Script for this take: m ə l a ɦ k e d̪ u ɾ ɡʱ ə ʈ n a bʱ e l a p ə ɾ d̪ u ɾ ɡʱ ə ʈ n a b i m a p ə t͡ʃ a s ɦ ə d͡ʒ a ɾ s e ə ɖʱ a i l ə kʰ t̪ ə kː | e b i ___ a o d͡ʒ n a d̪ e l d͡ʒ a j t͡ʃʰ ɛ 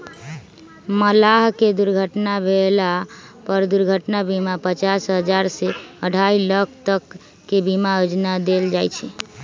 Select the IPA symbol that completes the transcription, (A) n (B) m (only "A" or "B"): B